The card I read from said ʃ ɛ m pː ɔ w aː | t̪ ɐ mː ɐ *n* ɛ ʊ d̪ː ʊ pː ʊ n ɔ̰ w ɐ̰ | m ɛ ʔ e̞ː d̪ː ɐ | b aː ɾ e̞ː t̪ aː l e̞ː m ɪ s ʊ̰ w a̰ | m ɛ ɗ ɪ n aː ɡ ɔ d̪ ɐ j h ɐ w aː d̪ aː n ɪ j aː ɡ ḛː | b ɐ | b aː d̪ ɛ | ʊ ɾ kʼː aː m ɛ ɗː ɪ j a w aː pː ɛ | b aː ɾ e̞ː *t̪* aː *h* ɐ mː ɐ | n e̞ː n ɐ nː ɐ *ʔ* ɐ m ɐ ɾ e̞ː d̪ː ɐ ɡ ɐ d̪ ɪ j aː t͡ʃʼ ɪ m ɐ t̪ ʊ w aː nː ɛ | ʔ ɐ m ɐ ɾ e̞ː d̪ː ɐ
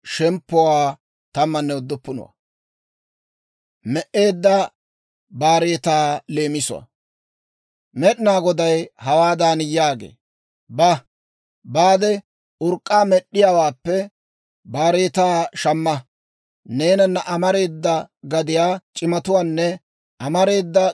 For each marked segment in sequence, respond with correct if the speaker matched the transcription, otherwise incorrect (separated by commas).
incorrect, correct, incorrect, correct